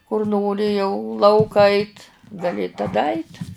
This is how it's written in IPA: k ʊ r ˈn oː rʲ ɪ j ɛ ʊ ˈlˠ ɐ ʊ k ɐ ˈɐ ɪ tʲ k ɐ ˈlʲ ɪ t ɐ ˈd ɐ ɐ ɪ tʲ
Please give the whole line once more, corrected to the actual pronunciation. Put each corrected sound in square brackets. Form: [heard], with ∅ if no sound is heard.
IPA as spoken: k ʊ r ˈn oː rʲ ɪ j ɛ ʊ ˈlˠ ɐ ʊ k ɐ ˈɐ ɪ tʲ [ɡ] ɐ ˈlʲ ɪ t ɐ ˈd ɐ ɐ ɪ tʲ